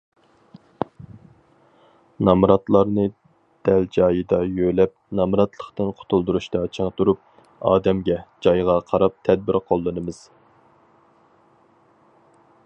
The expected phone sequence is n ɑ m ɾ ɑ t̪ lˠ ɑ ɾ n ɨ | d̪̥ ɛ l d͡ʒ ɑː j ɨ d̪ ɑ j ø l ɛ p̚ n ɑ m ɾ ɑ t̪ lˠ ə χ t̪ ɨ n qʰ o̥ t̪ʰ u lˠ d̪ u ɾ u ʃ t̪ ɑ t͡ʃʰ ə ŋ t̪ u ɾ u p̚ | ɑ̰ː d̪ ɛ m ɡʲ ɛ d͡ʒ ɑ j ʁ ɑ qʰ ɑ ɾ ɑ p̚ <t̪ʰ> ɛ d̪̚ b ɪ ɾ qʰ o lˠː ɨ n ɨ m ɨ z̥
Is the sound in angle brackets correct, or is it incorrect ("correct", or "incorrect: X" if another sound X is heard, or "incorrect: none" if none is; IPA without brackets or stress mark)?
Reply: correct